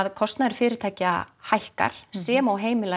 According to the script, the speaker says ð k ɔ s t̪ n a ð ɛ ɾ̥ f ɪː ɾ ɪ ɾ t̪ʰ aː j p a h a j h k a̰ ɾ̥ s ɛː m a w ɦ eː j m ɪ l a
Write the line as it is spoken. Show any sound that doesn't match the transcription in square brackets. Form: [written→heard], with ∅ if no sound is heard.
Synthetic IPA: ð [k→kʰ] ɔ s t̪ n a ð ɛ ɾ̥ f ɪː ɾ ɪ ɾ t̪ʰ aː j [p→c] a h a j h k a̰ ɾ̥ s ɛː m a w ɦ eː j m ɪ l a